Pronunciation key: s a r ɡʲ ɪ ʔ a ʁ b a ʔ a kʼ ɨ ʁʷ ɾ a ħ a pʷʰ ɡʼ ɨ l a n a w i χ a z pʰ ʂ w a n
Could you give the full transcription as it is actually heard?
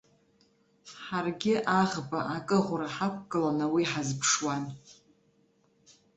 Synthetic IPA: ħ a r ɡʲ ɪ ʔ a ʁ b a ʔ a kʼ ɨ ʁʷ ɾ a ħ a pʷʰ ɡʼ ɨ l a n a w i ħ a z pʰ ʂ w a n